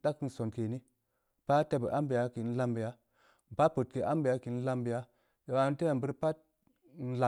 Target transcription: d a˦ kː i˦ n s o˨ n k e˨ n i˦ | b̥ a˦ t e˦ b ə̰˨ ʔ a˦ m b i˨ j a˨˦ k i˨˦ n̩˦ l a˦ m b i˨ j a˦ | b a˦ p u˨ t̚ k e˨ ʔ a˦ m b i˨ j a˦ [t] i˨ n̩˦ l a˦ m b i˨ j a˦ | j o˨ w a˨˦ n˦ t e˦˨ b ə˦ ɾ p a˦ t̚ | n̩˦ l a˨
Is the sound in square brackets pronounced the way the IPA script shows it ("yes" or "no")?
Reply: no